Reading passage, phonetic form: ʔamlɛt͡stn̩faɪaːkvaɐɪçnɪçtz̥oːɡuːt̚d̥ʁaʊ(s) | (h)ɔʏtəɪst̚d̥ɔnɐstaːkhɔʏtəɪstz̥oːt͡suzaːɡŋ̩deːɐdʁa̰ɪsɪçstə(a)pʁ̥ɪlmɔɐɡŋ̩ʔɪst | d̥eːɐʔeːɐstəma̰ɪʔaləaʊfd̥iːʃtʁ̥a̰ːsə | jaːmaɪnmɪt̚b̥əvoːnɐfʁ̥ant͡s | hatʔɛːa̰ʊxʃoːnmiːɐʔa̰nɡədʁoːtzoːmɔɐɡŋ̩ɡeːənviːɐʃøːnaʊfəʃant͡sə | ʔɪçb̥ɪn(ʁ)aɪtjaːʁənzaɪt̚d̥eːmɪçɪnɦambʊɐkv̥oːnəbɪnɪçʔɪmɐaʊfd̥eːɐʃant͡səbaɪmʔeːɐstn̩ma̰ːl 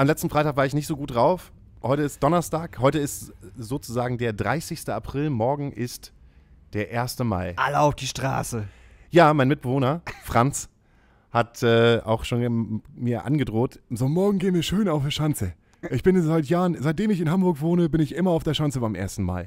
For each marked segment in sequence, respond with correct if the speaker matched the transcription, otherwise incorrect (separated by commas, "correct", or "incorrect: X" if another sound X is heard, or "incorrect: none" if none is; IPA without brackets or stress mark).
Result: incorrect: f, correct, correct, incorrect: z